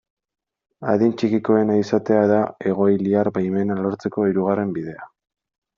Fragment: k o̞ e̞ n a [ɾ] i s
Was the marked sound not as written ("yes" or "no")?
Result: yes